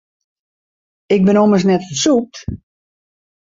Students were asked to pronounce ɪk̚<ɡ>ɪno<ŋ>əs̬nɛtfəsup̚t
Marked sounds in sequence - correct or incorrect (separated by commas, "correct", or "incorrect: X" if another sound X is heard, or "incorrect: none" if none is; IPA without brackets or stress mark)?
incorrect: b, incorrect: m